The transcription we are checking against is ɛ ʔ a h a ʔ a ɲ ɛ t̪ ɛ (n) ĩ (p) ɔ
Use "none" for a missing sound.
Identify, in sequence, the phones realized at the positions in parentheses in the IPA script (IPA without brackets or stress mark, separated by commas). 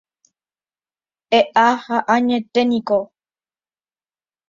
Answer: n, k